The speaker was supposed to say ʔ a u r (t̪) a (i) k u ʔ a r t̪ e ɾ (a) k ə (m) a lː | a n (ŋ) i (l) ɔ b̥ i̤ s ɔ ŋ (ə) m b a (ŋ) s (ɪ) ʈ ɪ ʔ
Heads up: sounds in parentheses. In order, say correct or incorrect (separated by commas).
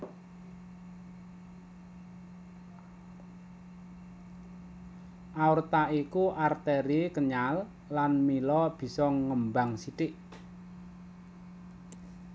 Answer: correct, correct, incorrect, incorrect, incorrect, correct, correct, correct, incorrect